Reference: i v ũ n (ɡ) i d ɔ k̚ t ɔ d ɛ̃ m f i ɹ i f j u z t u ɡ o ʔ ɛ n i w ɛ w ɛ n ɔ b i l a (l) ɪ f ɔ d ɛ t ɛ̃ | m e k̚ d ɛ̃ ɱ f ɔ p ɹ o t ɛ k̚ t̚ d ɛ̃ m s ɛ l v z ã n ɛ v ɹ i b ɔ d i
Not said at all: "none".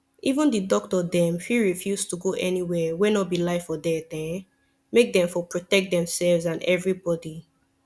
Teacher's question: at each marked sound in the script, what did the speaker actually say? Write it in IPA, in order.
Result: d, none

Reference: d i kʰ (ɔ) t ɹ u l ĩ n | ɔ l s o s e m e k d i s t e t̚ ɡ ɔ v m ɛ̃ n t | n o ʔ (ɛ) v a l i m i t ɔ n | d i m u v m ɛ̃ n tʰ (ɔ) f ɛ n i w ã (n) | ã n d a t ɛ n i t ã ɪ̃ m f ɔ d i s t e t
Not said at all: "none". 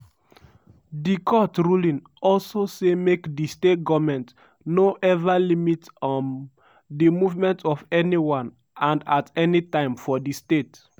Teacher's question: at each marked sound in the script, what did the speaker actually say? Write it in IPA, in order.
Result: ɔ, ɛ, ɔ, n

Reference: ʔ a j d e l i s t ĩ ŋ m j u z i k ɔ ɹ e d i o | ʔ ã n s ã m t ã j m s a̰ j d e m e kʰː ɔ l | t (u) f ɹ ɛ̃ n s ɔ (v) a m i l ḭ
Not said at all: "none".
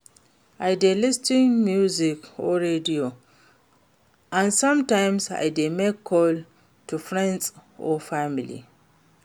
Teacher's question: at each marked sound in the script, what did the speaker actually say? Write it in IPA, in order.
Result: u, f

